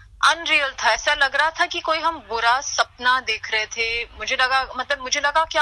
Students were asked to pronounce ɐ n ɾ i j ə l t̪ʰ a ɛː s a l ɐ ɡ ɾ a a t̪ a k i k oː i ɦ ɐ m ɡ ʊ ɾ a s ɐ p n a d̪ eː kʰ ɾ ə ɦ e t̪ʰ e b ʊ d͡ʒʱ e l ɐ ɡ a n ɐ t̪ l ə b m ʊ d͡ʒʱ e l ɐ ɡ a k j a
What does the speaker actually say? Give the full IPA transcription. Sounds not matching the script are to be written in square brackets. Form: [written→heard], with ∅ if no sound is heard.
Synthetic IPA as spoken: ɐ n ɾ i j ə l t̪ʰ a ɛː s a l ɐ ɡ ɾ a a [t̪→t̪ʰ] a k i k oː i ɦ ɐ m [ɡ→b] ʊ ɾ a s ɐ p n a d̪ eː kʰ ɾ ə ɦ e t̪ʰ e [b→m] ʊ d͡ʒʱ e l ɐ ɡ a [n→m] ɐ t̪ l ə b m ʊ d͡ʒʱ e l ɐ ɡ a k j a